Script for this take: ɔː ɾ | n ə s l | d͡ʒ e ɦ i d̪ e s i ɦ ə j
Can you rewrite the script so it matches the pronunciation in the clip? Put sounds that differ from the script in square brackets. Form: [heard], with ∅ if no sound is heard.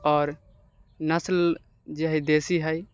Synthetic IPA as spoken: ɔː ɾ | n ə s l | d͡ʒ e ɦ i d̪ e s i ɦ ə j